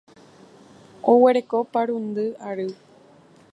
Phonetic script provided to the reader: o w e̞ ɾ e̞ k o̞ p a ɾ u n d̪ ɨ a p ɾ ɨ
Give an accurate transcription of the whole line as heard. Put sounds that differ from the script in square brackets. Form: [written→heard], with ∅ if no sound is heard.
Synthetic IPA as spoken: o w e̞ ɾ e̞ k o̞ p a ɾ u n d̪ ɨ a [p→∅] ɾ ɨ